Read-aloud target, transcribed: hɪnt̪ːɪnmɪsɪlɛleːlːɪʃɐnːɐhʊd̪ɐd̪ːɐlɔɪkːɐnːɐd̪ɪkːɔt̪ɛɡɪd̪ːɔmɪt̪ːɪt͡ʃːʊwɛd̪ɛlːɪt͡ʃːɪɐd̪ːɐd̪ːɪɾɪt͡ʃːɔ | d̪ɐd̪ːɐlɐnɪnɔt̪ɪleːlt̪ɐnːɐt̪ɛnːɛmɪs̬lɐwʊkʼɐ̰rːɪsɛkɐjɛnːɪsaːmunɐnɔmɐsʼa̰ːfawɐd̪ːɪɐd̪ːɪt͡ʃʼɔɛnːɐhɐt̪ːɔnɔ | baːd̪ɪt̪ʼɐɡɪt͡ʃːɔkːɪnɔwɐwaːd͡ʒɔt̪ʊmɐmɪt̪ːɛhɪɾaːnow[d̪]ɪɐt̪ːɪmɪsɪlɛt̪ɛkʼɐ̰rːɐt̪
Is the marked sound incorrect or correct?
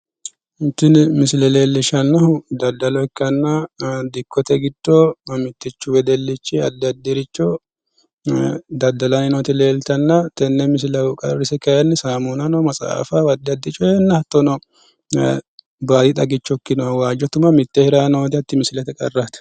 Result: correct